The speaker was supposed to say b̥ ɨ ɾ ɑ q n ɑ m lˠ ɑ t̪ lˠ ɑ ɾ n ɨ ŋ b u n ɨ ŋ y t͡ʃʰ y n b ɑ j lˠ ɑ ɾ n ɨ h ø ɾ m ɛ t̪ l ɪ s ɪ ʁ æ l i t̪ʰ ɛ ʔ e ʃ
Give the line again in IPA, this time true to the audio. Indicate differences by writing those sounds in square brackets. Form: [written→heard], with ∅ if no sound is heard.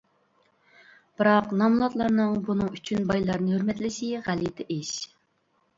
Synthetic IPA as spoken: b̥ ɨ ɾ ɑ q n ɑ m lˠ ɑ t̪ lˠ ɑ ɾ n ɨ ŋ b u n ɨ ŋ y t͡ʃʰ y n b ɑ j lˠ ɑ ɾ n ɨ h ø ɾ m ɛ t̪ l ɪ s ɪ ʁ æ l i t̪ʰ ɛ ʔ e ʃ